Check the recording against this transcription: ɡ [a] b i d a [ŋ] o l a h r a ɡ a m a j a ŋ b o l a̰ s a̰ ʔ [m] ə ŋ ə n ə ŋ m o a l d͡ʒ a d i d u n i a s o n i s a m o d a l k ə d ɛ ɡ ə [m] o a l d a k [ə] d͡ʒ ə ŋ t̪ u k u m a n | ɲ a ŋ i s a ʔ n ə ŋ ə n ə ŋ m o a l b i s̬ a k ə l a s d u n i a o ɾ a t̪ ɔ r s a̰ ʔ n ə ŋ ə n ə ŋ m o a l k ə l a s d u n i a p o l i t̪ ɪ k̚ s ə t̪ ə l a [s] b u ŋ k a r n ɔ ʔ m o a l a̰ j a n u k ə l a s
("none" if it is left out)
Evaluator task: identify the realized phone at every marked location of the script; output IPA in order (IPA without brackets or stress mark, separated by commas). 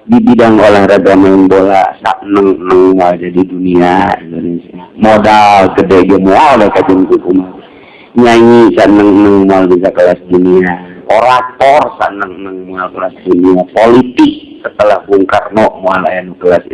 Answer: i, ŋ, n, m, a, h